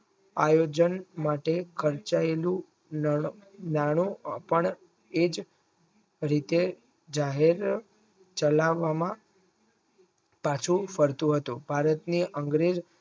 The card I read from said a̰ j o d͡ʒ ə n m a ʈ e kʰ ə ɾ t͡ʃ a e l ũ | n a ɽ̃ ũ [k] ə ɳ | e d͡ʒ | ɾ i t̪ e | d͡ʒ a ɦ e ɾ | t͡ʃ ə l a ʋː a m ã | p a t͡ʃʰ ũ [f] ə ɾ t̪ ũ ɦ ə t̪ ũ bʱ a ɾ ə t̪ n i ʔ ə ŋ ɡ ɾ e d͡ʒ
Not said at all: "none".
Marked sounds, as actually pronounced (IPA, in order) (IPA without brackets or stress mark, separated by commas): p, f